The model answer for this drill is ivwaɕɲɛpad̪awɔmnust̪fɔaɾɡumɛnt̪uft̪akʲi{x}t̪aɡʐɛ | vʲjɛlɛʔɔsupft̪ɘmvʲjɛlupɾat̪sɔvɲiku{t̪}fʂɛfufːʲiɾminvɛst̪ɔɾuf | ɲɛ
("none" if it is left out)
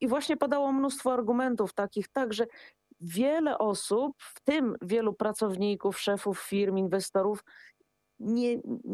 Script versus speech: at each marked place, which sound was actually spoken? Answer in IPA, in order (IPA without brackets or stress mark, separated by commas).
x, none